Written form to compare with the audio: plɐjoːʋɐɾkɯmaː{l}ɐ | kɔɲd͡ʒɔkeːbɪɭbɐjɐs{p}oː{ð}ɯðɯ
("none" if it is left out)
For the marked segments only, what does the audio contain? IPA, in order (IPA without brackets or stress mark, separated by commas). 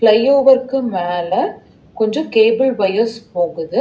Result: l, p, ɣ